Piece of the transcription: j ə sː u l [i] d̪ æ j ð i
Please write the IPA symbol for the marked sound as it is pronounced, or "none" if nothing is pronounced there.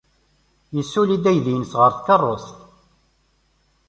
i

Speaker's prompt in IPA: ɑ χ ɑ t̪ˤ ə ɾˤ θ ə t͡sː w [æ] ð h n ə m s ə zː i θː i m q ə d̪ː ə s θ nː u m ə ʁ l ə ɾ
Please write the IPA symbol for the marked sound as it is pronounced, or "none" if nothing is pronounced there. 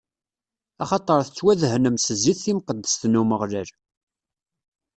æ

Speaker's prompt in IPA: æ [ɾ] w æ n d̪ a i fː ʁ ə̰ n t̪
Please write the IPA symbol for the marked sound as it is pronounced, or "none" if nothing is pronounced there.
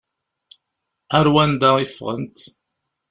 ɾ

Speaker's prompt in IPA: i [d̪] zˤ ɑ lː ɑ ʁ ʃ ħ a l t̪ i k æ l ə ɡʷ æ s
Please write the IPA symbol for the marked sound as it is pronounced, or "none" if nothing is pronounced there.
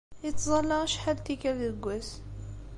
t̪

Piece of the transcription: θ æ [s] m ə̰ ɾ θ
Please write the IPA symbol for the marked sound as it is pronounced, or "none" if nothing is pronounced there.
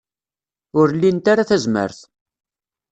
z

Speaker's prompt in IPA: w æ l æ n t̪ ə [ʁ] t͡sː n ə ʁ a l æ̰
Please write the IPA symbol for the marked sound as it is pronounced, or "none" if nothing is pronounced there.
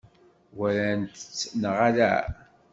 none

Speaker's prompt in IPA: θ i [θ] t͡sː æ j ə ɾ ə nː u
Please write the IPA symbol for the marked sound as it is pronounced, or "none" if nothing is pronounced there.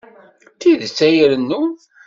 ð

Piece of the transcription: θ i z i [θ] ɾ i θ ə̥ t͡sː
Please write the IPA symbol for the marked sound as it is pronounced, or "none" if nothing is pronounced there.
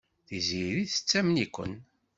none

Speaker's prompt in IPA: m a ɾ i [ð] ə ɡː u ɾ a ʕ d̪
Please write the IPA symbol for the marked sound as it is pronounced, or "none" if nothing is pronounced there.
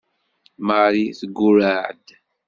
θ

